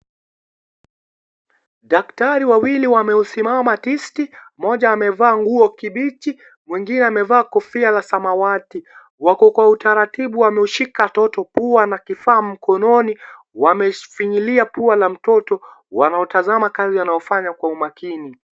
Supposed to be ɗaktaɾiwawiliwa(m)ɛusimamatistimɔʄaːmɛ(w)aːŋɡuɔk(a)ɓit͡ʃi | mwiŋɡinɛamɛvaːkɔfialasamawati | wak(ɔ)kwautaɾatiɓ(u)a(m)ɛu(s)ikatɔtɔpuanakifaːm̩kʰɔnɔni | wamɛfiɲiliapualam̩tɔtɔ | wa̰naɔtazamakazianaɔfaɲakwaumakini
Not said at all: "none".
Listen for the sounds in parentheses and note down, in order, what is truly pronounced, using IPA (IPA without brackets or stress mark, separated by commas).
m, v, i, ɔ, u, m, ʃ